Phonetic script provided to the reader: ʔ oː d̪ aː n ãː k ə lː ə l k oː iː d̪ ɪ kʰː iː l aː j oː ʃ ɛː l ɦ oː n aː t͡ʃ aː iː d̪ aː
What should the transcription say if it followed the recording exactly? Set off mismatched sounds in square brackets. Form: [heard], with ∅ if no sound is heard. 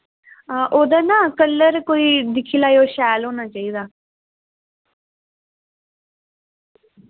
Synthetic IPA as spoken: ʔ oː d̪ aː n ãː k ə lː ə [ɾ] k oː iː d̪ ɪ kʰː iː l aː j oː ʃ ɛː l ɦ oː n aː t͡ʃ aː iː d̪ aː